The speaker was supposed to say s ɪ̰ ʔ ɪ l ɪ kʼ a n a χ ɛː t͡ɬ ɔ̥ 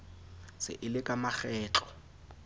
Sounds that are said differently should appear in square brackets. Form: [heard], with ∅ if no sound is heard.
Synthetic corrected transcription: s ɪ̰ ʔ ɪ l ɪ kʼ a [m] a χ ɛː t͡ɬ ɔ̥